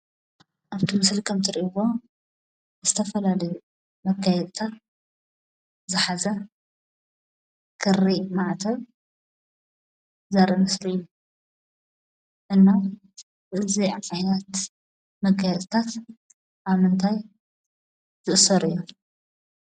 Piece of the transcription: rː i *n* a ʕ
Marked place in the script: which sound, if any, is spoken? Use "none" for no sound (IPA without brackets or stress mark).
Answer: m